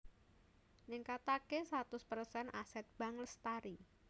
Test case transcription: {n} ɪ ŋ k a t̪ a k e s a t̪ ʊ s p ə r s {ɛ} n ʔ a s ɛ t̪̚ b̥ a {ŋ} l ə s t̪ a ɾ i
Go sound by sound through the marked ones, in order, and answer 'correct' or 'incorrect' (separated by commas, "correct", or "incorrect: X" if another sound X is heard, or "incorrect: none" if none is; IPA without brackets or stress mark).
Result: correct, correct, correct